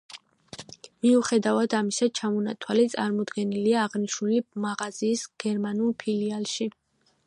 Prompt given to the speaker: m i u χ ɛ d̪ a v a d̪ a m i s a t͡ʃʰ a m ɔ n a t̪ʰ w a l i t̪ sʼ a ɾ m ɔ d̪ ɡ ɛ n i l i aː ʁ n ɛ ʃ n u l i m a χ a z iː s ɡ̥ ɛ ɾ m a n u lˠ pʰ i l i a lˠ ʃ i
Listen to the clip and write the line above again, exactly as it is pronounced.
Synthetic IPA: m i u χ ɛ d̪ a v a d̪ a m i s a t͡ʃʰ a m ɔ n a t̪ʰ w a l i t̪ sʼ a ɾ m ɔ d̪ ɡ ɛ n i l i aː ʁ n i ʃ n u l i m a ʁ a z iː s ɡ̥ ɛ ɾ m a n u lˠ pʰ i l i a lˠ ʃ i